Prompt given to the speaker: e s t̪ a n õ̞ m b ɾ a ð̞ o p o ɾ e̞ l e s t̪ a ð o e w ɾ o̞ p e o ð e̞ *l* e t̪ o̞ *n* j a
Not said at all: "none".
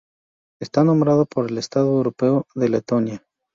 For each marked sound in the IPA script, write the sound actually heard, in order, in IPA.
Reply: l, n

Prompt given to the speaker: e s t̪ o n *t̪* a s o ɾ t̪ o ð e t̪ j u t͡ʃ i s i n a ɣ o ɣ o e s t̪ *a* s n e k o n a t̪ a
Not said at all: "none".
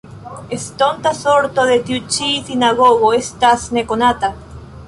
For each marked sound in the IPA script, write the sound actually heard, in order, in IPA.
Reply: t̪, a

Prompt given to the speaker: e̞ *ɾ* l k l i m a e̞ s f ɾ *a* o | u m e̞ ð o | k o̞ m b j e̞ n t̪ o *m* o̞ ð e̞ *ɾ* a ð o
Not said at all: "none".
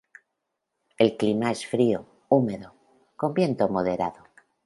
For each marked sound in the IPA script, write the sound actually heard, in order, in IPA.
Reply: none, i, m, ɾ

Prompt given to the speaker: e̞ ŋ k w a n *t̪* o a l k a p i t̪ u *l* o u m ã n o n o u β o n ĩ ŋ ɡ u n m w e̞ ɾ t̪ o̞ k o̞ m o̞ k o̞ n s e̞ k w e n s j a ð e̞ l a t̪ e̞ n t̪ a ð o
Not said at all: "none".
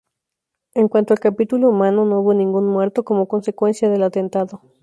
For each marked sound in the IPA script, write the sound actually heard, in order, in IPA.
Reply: t̪, l

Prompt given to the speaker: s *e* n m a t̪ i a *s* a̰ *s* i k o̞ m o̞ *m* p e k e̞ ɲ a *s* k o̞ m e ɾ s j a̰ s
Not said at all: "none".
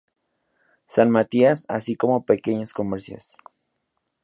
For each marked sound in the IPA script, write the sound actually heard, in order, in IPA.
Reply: a, s, s, none, s

